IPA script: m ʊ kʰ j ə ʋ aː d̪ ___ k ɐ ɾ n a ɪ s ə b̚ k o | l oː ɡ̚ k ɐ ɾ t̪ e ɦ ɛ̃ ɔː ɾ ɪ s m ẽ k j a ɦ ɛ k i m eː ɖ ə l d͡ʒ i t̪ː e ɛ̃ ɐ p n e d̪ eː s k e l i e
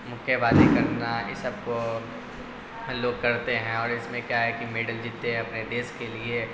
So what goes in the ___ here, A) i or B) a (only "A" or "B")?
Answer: A